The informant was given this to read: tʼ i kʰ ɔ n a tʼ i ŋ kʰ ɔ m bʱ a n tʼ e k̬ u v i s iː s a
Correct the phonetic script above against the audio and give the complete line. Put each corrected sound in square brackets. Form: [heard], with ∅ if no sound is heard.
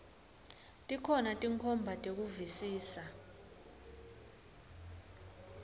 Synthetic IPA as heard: tʼ i kʰ ɔ n a tʼ i ŋ kʰ ɔ m bʱ a [∅] tʼ e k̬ u v i s iː s a